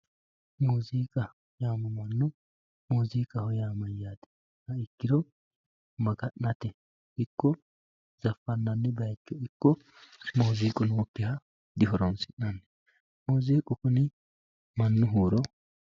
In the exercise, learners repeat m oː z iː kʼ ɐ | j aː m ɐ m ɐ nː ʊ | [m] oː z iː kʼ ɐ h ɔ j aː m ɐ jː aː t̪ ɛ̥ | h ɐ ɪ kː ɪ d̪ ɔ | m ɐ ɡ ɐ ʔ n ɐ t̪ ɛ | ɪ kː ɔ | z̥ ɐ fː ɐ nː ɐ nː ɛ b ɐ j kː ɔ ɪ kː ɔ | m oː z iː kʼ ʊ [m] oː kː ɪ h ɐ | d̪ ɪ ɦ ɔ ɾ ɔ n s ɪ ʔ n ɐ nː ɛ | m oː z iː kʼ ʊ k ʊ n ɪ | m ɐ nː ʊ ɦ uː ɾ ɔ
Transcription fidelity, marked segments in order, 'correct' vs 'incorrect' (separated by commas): correct, incorrect